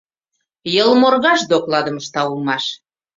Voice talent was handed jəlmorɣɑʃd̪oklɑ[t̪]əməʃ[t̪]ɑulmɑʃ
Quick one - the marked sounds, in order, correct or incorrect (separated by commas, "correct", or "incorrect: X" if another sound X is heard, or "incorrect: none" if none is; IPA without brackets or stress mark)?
incorrect: d̪, correct